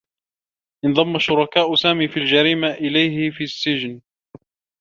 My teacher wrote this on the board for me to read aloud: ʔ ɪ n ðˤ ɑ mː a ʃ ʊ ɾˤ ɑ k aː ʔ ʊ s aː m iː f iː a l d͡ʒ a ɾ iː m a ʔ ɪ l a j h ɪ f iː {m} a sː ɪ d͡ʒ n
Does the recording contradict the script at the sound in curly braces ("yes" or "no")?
yes